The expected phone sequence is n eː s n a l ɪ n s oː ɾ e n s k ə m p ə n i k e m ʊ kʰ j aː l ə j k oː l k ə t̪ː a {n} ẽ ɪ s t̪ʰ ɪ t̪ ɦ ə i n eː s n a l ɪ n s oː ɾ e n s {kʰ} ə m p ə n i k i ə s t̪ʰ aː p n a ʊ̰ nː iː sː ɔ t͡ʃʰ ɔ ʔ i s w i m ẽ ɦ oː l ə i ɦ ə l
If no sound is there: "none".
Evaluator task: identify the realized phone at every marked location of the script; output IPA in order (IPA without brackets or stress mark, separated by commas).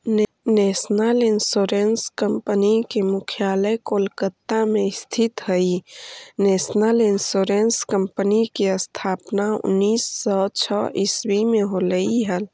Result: m, k